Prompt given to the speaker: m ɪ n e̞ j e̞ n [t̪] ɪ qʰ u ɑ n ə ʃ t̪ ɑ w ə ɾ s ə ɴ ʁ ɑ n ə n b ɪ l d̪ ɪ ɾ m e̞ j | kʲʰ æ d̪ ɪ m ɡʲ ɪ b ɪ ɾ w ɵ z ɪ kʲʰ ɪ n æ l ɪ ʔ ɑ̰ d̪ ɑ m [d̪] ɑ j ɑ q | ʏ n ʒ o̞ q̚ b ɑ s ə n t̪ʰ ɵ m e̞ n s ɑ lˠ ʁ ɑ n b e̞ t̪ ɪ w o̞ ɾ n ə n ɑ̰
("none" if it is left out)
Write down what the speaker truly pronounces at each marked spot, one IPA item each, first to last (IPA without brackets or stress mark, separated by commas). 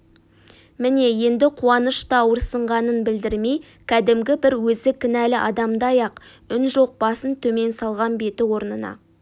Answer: d̪, d̪